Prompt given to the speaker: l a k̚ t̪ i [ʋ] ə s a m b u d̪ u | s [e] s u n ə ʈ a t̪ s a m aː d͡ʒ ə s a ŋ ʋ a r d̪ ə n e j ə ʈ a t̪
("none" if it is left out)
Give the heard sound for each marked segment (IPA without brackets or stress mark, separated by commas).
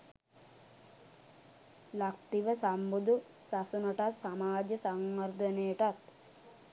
ʋ, a